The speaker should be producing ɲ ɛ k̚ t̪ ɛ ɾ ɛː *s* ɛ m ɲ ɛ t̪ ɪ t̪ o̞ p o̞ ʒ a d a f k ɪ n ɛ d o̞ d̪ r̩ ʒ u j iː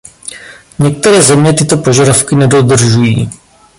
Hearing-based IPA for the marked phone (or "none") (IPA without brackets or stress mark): z